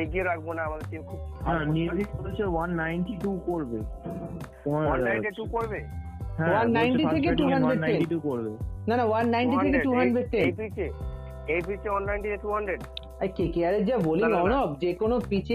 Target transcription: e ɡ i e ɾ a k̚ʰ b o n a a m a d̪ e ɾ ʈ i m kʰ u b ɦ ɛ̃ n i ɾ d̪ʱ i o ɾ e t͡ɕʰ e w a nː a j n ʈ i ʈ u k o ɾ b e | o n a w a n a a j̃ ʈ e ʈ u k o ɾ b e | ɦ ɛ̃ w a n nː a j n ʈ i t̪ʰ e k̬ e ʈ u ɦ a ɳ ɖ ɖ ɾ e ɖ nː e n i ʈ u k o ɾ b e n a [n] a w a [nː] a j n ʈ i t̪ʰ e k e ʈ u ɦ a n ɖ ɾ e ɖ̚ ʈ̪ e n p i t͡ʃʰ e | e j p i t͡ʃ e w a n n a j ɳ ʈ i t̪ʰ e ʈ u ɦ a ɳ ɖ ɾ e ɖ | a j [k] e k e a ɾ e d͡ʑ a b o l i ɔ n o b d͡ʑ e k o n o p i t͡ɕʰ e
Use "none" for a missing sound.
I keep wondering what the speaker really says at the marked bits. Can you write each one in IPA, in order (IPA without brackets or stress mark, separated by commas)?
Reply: n, nː, k